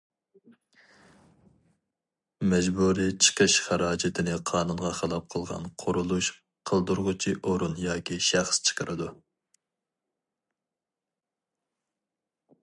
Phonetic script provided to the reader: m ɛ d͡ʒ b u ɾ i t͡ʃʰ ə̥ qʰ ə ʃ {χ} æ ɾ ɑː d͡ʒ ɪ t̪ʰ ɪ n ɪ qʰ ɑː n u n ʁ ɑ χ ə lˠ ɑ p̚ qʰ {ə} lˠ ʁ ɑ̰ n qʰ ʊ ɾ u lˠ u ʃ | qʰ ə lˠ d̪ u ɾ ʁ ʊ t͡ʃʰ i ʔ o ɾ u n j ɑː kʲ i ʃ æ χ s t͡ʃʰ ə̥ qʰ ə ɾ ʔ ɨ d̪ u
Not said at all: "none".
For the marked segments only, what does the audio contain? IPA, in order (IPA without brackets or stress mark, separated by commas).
χ, ə